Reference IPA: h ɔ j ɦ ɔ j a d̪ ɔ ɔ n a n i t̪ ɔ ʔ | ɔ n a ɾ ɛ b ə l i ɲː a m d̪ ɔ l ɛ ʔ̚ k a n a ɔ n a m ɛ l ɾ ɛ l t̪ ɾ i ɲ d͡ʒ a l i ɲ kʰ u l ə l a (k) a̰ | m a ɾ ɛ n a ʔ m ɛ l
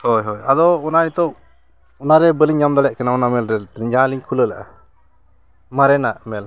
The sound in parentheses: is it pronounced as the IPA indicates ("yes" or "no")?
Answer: no